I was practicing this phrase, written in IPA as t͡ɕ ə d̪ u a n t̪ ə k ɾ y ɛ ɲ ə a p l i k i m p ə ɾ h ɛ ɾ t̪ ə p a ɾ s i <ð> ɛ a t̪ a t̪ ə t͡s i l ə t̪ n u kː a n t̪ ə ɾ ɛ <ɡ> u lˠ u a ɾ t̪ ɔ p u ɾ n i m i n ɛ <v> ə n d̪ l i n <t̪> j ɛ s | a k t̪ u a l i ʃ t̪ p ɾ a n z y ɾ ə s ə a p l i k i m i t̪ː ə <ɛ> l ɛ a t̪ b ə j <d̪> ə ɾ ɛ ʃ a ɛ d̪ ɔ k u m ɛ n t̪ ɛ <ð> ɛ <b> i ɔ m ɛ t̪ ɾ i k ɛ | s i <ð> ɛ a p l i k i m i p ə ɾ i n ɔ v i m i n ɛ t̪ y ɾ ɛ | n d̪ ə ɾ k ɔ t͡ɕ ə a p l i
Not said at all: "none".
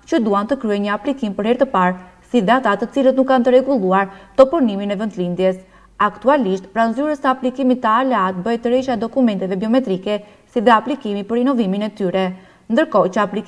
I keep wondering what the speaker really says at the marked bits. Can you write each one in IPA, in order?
ð, ɡ, v, d̪, a, t̪, v, b, ð

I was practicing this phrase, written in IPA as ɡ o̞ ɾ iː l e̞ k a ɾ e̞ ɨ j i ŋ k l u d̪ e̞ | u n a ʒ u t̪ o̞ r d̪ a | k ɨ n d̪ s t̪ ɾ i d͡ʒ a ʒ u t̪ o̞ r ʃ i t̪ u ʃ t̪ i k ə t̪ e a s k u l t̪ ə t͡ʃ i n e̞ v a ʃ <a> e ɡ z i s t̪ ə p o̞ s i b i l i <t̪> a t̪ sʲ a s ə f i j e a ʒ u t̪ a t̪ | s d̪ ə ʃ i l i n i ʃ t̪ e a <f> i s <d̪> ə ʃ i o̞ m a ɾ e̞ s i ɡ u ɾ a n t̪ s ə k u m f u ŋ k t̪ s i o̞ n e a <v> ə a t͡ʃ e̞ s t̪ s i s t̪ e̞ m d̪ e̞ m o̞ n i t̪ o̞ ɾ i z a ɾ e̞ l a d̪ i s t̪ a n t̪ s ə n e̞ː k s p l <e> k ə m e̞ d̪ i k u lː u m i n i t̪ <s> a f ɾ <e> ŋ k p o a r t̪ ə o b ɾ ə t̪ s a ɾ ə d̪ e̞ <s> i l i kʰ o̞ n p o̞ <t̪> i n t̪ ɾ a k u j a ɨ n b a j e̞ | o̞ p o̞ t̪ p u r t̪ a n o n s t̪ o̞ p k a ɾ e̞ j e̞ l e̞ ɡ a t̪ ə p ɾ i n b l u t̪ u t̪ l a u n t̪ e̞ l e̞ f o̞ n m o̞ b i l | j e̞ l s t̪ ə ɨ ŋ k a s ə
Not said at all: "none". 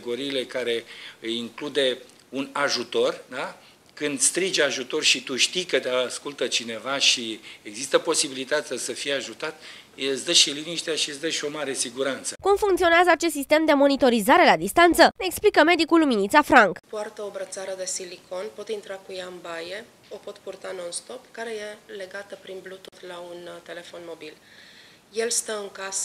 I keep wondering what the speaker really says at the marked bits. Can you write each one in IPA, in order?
i, t̪, ʃ, d̪, z, i, s, a, s, t̪

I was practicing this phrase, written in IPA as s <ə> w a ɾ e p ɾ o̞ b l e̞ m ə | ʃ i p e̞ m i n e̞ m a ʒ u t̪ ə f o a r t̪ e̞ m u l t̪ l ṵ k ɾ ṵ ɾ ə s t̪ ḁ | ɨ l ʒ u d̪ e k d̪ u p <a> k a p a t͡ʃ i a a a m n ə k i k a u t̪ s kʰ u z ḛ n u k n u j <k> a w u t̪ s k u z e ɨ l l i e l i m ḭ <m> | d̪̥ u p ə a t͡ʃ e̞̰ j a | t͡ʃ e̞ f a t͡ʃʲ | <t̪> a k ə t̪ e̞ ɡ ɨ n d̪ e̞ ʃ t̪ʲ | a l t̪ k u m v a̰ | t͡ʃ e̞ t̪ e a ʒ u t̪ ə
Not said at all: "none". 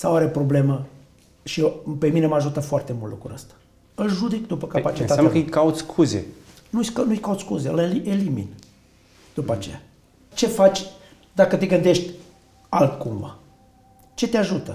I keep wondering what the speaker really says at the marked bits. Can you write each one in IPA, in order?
a, ə, k, n, d̪

